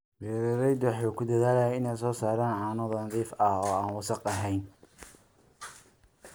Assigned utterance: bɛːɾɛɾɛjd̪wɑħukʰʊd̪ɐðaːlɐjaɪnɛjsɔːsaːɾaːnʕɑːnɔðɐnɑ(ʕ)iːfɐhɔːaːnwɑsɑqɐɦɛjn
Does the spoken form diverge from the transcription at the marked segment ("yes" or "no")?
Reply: yes